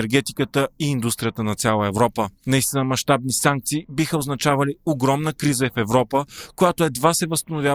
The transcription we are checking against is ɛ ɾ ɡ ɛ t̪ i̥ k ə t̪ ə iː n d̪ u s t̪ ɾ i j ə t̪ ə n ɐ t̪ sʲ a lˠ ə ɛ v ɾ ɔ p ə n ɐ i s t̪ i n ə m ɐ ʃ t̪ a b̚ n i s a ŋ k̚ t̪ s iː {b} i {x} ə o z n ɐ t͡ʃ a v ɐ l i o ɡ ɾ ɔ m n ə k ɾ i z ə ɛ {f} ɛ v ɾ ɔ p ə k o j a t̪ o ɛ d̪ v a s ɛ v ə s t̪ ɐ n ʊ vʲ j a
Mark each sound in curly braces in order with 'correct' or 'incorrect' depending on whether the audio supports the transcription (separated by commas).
correct, correct, correct